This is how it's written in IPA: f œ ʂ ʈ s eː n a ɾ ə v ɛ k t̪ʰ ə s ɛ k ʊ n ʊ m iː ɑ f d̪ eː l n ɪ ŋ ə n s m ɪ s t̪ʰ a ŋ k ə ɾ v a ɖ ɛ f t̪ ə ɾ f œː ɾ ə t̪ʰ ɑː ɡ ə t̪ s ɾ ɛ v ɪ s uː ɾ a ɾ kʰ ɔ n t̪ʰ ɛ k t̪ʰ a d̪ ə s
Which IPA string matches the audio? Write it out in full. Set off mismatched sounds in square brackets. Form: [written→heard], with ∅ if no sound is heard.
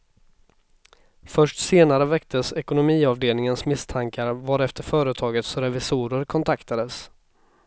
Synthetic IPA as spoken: f œ ʂ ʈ s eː n a ɾ ə v ɛ k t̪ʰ ə s ɛ k ʊ n ʊ m iː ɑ [f→v] d̪ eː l n ɪ ŋ ə n s m ɪ s t̪ʰ a ŋ k [ə→a] ɾ v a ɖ ɛ f t̪ ə ɾ f œː ɾ ə t̪ʰ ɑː ɡ ə t̪ s ɾ ɛ v ɪ s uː ɾ [a→ə] ɾ kʰ ɔ n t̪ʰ [ɛ→a] k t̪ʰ a d̪ ə s